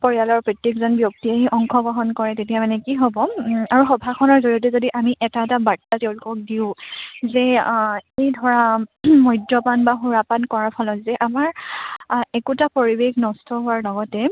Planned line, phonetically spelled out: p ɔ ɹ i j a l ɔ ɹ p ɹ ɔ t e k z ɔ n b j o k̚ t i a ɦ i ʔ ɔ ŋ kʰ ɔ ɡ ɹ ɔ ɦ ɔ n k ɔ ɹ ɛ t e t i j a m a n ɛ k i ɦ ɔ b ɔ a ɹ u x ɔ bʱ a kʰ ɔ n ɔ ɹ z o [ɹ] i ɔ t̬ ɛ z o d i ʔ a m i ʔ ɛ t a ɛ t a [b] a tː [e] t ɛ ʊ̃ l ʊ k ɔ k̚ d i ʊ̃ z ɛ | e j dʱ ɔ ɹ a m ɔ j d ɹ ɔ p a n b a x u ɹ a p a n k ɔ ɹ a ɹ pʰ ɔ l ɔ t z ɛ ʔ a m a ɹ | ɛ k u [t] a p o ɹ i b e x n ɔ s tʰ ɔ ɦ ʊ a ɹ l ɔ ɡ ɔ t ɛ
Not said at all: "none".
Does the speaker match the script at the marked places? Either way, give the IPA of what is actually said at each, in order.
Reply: ɹ, b, a, t

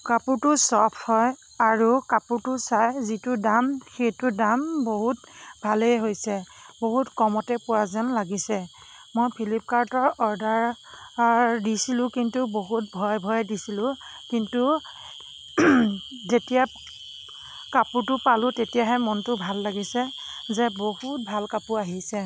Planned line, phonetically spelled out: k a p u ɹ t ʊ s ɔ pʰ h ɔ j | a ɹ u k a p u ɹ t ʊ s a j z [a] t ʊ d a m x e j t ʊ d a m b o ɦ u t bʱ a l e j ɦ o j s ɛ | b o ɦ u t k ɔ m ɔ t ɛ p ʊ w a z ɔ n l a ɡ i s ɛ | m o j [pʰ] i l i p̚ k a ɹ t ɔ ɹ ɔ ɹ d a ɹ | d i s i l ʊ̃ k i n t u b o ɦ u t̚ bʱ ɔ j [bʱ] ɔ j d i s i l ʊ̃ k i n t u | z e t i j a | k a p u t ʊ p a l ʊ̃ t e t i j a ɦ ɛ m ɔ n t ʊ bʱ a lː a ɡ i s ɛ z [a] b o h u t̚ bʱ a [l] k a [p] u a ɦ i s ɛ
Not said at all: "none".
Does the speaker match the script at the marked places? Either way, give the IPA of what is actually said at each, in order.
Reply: i, pʰ, bʱ, ɛ, l, p

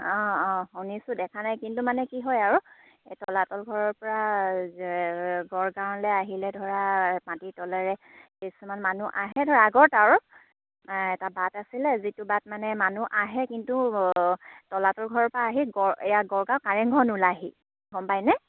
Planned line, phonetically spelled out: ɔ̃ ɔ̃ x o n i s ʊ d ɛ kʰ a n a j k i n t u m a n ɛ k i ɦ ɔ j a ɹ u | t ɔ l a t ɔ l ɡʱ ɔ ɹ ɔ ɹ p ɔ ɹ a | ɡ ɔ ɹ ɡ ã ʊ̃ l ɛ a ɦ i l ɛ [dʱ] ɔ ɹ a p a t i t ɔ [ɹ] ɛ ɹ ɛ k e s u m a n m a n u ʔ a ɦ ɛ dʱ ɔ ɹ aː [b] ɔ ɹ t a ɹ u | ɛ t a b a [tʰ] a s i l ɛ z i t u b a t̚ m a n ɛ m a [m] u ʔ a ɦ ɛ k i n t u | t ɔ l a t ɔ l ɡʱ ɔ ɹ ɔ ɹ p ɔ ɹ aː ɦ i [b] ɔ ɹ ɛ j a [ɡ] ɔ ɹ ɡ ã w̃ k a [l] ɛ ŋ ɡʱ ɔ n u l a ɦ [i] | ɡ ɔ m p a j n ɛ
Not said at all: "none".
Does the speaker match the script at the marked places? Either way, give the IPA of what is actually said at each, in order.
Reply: dʱ, l, ɡ, t, n, ɡ, ɡ, ɹ, i

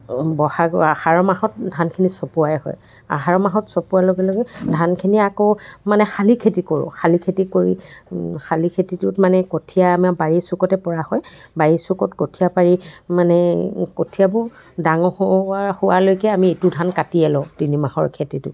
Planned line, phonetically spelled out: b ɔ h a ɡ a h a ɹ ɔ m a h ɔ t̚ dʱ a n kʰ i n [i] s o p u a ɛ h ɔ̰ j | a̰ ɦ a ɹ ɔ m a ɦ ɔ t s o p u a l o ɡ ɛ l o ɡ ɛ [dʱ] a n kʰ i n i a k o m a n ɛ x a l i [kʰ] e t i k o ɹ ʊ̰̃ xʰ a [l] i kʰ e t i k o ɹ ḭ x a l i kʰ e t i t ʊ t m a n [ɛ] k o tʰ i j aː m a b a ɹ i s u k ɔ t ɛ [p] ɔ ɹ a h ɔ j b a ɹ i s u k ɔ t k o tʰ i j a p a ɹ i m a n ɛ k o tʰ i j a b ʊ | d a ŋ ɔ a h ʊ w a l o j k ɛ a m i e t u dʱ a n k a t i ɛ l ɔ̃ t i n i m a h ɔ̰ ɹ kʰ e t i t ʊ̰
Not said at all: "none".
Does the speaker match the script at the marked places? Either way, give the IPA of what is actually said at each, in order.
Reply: i, dʱ, kʰ, l, ɛ, p

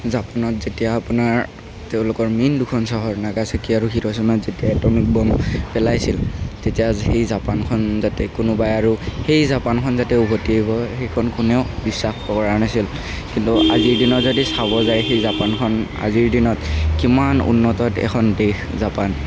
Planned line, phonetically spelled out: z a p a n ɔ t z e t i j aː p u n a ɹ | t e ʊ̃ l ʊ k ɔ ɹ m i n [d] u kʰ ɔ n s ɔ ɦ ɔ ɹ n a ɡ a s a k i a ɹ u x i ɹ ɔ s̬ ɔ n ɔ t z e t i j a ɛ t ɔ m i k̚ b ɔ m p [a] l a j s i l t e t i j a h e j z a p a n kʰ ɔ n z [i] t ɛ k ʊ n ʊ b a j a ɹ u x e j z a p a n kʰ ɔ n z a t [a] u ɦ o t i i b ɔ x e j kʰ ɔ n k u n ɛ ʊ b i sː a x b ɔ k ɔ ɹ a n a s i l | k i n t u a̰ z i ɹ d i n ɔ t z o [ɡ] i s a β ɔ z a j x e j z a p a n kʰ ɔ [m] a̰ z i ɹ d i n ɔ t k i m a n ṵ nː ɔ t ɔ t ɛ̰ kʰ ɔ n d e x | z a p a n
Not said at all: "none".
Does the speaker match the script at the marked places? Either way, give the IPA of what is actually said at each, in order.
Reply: d, ɛ, a, ɛ, d, n

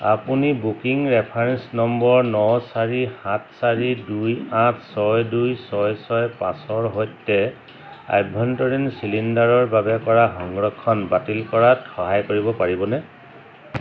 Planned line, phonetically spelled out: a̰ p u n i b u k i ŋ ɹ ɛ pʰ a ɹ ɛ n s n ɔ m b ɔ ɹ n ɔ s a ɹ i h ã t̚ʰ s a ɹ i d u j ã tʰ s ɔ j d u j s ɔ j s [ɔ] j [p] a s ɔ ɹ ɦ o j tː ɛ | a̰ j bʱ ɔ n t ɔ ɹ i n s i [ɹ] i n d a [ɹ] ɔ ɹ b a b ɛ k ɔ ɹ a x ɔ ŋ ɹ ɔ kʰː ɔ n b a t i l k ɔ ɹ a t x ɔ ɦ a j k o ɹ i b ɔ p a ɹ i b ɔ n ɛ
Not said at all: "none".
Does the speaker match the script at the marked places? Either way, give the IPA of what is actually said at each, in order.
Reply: ɔ, p, l, ɹ

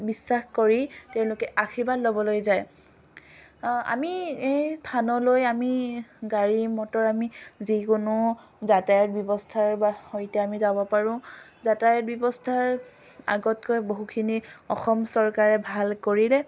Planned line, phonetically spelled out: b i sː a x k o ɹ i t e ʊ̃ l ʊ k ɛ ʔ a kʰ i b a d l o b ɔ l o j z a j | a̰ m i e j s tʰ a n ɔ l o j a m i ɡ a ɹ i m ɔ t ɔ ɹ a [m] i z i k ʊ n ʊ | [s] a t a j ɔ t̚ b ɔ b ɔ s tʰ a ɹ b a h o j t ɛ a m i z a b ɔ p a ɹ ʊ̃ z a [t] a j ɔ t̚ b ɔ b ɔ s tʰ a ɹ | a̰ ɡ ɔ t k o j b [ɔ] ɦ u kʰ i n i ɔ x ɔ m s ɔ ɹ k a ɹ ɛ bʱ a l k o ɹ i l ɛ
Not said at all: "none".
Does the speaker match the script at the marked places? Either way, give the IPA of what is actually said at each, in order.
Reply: m, z, t, o

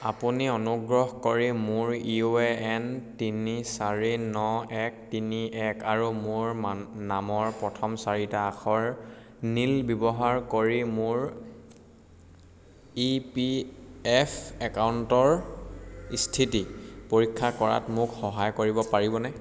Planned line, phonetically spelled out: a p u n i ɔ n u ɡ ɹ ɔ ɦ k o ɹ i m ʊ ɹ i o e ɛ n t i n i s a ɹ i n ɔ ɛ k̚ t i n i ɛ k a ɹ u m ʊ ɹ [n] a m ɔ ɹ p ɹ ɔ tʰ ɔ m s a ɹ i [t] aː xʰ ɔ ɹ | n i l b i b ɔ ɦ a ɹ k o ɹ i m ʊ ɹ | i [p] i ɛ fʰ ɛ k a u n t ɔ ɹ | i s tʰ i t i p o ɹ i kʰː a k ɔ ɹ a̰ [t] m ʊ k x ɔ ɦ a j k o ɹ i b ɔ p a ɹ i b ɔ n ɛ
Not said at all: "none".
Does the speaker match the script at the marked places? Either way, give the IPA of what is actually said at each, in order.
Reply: n, t, p, t

